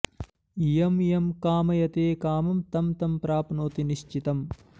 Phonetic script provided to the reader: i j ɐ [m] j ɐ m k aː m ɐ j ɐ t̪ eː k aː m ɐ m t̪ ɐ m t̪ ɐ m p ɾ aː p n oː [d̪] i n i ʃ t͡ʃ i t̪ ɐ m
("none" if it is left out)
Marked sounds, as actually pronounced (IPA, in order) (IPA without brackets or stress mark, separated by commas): m, t̪